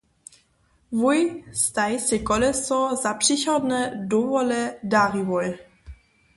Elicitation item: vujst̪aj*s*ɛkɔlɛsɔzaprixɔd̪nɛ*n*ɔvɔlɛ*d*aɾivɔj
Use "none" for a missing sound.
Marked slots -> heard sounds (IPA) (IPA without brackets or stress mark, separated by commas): s, d, d